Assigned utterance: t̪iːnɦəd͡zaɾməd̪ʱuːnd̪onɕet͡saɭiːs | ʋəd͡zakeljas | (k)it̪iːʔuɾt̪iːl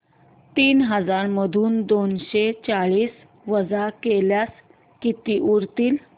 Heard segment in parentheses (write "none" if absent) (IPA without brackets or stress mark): k